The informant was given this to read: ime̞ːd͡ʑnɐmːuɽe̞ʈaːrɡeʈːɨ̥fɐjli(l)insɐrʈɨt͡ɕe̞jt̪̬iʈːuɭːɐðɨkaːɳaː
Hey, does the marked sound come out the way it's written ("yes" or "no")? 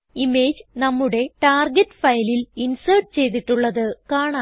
yes